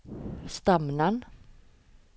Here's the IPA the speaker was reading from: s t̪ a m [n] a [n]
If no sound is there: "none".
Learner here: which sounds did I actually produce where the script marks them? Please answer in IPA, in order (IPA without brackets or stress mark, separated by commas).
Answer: n, n